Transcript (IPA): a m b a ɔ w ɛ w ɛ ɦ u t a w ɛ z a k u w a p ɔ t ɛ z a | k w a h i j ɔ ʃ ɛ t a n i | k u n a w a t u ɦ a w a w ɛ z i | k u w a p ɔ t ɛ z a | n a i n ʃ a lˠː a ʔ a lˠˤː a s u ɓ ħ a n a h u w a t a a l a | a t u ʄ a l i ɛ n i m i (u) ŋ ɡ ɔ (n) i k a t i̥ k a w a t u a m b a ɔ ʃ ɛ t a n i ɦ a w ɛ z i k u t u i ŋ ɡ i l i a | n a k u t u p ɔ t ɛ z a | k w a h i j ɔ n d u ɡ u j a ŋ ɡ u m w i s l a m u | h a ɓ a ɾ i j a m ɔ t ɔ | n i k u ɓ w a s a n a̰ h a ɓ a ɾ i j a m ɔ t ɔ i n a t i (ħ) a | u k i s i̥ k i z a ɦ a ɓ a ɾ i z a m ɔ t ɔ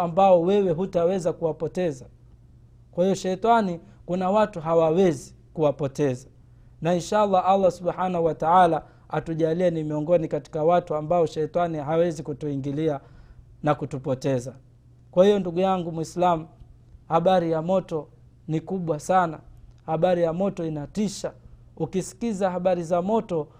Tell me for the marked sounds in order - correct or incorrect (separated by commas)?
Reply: incorrect, correct, incorrect